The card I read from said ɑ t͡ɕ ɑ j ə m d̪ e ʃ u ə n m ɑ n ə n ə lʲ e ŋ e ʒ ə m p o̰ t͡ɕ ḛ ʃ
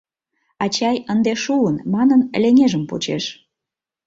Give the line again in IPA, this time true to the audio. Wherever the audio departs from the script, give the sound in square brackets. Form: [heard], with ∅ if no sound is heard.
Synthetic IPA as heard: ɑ t͡ɕ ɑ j ə [n] d̪ e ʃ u ə n m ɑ n ə n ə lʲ e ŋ e ʒ ə m p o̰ t͡ɕ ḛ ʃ